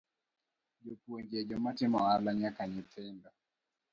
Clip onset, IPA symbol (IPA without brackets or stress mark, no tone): d͡ʒ